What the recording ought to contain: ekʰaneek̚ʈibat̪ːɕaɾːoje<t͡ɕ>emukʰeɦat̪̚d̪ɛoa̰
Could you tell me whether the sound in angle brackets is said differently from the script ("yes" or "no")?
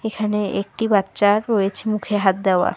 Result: yes